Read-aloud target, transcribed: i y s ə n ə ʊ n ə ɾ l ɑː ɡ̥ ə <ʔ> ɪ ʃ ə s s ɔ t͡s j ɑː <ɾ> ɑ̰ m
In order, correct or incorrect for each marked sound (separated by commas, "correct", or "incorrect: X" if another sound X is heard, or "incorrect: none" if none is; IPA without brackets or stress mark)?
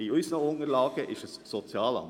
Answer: correct, incorrect: l